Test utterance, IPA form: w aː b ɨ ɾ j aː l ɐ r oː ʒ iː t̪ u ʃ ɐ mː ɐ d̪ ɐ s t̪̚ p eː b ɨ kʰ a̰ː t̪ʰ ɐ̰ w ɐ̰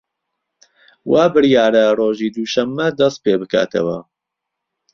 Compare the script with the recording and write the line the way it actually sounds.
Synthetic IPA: w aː b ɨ ɾ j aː ɾ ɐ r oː ʒ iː d̪ u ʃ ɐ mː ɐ d̪ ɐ s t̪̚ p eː b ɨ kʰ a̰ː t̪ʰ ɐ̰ w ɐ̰